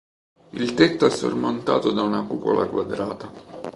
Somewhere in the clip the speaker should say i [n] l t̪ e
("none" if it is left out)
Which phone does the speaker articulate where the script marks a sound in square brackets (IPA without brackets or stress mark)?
none